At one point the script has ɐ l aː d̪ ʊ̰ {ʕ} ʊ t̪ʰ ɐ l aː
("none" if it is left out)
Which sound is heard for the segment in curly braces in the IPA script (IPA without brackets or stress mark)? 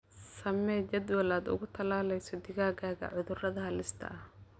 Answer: ɣ